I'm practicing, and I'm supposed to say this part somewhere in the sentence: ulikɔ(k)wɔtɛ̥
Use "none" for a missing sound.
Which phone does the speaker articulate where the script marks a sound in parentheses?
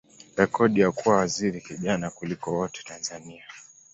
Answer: none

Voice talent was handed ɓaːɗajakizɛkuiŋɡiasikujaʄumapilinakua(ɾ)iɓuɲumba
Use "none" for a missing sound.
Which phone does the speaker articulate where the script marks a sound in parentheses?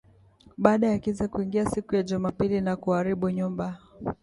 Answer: ɾ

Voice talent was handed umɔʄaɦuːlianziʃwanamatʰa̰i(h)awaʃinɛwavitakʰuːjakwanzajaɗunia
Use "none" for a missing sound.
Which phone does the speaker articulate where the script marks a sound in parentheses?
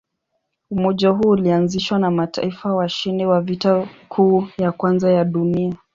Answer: f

